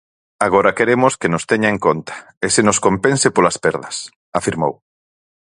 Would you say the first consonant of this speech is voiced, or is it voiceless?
voiced